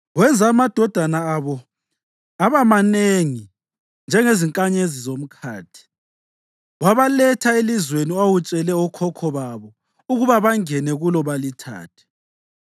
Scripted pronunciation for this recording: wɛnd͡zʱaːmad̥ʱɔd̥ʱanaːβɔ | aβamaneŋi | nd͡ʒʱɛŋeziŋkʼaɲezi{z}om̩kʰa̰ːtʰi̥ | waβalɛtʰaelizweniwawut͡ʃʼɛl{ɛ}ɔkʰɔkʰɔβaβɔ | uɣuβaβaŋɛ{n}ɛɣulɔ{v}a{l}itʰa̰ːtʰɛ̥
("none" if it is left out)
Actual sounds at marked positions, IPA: z, ɛ, n, β, l

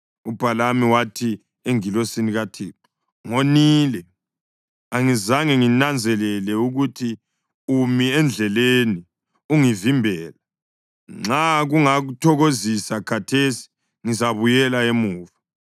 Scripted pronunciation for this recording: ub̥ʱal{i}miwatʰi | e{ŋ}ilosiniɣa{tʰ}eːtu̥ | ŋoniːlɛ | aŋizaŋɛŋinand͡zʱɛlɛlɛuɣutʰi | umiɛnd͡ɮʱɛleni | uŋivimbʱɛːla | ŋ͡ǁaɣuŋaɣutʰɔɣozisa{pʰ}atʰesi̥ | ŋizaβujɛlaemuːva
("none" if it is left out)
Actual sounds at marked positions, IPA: a, ŋ, tʰ, kʰ

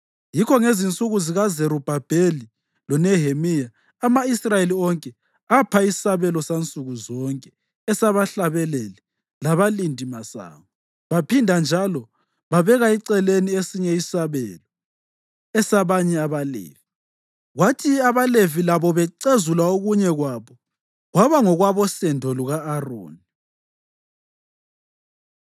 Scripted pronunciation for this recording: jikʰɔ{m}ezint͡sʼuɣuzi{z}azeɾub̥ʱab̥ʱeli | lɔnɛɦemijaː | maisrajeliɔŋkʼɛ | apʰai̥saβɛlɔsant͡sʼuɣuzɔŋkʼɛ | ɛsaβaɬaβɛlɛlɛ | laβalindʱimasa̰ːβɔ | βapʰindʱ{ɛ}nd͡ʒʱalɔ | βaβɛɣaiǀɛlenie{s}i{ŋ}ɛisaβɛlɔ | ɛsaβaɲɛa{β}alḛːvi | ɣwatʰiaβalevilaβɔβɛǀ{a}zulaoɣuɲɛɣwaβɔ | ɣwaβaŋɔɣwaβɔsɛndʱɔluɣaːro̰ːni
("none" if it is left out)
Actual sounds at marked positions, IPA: ŋ, ɣ, a, s, ɲ, β, e

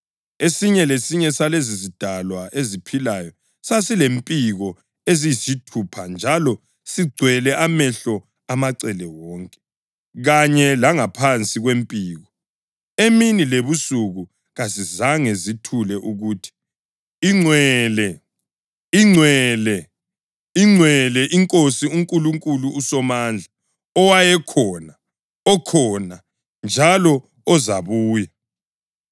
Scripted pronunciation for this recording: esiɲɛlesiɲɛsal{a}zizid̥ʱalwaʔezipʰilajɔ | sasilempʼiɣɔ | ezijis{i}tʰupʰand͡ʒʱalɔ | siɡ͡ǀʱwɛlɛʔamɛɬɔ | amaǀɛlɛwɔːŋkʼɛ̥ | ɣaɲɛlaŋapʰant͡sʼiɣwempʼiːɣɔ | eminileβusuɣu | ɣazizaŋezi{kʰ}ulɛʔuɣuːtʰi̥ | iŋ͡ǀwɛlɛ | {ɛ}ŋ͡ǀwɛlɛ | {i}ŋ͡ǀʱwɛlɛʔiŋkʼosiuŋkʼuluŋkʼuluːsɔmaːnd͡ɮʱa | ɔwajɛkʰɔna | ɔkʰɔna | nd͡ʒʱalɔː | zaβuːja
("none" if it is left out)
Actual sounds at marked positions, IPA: e, i, tʰ, i, i

